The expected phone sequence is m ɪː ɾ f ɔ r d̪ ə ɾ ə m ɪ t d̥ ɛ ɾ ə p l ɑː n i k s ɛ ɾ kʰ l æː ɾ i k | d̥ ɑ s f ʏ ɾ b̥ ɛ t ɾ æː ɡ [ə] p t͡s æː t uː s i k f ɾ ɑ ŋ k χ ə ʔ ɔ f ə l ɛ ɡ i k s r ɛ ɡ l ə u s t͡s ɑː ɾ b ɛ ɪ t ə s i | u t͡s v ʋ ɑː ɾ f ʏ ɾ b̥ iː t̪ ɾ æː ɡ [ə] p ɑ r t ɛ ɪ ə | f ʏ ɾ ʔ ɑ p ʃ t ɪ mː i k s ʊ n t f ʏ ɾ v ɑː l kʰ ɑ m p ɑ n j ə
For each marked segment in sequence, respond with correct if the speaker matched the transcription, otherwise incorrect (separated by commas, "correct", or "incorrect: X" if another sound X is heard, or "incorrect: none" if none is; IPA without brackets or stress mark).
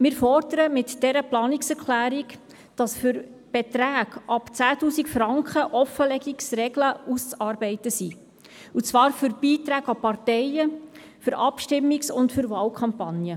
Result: incorrect: ɑ, incorrect: ɑ